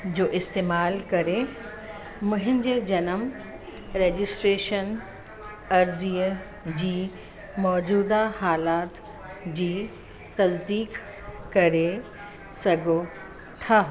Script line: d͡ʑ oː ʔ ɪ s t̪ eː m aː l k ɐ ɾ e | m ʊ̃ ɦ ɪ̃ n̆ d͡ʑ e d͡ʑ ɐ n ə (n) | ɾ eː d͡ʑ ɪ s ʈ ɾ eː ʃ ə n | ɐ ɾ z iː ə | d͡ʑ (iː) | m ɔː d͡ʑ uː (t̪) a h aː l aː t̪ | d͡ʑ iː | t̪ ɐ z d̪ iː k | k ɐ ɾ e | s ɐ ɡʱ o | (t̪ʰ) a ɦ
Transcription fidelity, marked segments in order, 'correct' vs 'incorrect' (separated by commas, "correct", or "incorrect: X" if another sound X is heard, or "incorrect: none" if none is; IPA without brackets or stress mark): incorrect: m, correct, incorrect: d̪, correct